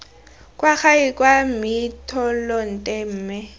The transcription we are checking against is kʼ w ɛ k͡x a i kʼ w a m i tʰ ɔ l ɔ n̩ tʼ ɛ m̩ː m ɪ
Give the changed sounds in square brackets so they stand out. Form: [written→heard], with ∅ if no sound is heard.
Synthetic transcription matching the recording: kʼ w [ɛ→a] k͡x a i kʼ w a m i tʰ ɔ l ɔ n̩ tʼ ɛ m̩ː m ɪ